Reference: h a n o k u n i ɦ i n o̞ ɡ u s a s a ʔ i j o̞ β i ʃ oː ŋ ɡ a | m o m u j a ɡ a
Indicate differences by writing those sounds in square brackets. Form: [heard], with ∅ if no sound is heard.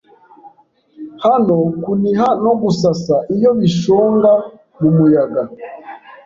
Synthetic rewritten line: h a n o k u n i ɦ [a] n o̞ ɡ u s a s a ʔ i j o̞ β i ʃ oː ŋ ɡ a | m [u] m u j a ɡ a